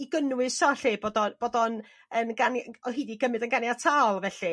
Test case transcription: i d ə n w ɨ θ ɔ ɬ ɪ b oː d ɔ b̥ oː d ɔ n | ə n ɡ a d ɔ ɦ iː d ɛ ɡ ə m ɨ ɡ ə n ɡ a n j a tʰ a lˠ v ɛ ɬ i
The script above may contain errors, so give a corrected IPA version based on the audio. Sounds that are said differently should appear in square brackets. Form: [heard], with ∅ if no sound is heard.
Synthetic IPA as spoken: i [ɡ] ə n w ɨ [s] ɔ ɬ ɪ b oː d ɔ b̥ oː d ɔ n | ə n ɡ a [n] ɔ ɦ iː d [i] ɡ ə m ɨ [d] ə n ɡ a n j a tʰ a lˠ v ɛ ɬ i